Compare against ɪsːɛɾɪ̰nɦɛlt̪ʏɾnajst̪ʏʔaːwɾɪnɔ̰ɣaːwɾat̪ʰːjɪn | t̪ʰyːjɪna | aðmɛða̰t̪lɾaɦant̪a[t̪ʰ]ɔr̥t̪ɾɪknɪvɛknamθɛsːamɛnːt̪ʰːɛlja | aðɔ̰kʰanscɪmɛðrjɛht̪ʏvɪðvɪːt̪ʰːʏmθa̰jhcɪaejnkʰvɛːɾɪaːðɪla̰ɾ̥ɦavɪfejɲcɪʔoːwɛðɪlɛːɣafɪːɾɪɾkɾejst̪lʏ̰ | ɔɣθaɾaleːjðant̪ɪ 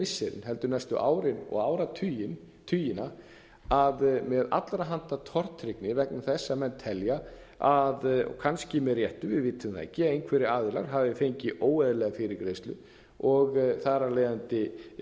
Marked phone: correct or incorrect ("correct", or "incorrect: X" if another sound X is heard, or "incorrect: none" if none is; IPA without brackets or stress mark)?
correct